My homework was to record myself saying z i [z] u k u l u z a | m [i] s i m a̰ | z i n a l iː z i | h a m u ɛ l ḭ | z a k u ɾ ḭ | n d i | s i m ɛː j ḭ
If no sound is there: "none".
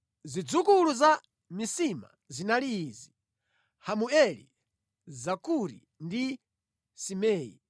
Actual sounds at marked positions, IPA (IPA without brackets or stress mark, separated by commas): d͡z, i